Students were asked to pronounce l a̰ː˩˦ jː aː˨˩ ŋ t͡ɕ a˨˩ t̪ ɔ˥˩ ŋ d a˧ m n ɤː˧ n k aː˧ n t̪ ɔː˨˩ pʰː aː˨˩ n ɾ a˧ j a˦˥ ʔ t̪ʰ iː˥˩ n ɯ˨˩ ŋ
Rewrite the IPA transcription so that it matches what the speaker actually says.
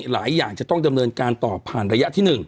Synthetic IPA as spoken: l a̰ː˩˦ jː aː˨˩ ŋ t͡ɕ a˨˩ t̪ ɔ˥˩ ŋ d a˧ m n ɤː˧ n k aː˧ n t̪ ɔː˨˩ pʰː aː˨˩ n ɾ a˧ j a˦˥ ʔ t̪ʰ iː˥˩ n ɯ˨˩ ŋ

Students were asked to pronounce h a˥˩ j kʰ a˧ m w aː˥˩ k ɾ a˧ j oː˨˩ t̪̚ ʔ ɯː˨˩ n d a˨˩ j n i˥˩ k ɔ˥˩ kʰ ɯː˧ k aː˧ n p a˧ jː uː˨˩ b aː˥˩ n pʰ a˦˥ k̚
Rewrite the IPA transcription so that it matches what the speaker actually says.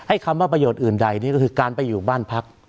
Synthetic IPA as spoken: h a˥˩ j kʰ a˧ m w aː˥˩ p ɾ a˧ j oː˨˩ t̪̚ ʔ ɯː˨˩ n d a˨˩ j n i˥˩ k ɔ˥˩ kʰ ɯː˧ k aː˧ n p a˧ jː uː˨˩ b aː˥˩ n pʰ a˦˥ k̚

